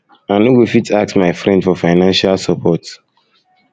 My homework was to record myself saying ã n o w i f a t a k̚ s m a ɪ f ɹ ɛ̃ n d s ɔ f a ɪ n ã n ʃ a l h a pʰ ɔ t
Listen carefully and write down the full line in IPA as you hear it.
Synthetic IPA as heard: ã n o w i f i t a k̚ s m a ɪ f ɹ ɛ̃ n d f ɔ f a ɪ n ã n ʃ a l s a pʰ ɔ t